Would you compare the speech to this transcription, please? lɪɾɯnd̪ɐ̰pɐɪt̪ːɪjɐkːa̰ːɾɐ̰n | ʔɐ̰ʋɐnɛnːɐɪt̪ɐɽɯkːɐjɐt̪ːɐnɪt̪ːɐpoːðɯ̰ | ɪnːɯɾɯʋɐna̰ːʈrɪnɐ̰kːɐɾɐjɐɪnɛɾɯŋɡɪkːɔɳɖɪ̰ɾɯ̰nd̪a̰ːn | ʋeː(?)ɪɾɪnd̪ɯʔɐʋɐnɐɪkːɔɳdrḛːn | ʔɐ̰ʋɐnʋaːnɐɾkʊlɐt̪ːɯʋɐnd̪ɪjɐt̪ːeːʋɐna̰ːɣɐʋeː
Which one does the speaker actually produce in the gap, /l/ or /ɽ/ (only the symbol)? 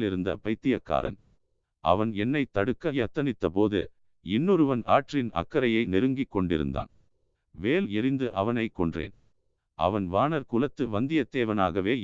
l